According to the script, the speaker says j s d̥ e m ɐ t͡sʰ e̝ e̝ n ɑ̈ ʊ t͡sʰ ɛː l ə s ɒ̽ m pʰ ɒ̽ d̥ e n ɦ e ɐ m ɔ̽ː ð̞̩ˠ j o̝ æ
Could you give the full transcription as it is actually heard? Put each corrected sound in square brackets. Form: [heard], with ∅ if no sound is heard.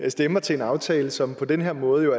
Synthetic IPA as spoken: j s d̥ e m ɐ t͡sʰ e̝ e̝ n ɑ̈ ʊ t͡sʰ ɛː l ə s ɒ̽ m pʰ ɒ̽ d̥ e n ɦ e ɐ m ɔ̽ː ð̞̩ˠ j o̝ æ